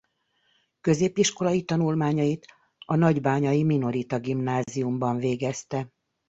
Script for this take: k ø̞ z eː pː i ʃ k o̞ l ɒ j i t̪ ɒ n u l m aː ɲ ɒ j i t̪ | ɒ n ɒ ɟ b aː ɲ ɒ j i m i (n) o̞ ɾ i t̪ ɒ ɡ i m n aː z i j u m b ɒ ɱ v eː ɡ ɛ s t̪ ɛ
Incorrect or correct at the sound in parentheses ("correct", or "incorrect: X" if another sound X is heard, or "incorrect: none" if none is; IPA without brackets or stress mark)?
correct